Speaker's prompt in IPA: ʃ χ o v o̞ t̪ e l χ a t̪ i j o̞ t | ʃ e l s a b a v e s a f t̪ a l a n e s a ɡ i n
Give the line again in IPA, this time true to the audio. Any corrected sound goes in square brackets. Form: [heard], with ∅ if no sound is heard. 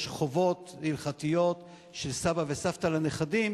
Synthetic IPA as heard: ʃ χ o v o̞ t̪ [i] l χ a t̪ i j o̞ t | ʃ e l s a b a v e s a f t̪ a l a n e [χ] a [d] i [m]